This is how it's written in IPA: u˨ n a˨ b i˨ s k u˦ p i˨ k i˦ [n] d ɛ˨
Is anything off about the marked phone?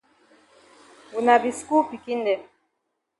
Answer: no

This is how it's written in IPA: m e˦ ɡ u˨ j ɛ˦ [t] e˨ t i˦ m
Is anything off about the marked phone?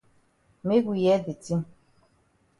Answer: yes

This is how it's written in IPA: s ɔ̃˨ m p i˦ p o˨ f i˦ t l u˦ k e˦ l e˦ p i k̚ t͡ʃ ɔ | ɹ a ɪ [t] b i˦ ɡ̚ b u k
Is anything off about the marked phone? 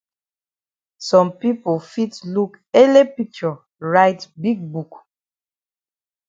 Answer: no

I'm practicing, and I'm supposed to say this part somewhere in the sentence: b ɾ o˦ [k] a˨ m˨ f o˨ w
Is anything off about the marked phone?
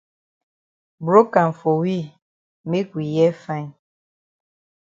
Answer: no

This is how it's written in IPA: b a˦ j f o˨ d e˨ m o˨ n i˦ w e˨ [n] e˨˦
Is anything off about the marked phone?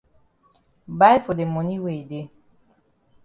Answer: yes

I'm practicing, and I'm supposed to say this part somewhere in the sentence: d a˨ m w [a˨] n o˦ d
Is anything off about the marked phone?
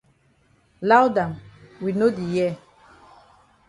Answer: yes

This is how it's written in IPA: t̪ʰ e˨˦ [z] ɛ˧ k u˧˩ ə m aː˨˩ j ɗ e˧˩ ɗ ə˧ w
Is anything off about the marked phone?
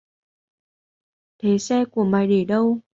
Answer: yes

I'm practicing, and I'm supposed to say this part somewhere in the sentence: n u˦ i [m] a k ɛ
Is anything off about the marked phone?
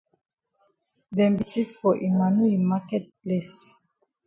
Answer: no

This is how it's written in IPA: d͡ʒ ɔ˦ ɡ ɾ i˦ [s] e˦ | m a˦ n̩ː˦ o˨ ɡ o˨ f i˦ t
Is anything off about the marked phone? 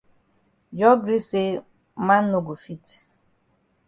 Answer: no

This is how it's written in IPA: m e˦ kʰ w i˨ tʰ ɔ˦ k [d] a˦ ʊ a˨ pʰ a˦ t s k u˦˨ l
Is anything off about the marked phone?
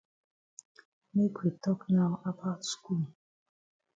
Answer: yes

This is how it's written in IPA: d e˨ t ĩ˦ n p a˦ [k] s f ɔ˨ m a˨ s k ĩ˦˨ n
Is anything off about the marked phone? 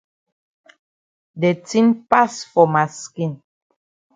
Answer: yes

